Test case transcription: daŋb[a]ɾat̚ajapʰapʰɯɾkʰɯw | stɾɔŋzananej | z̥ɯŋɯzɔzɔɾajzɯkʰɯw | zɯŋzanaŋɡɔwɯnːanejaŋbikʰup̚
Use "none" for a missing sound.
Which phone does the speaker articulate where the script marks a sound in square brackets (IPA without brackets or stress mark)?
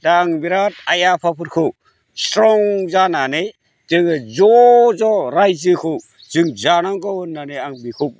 i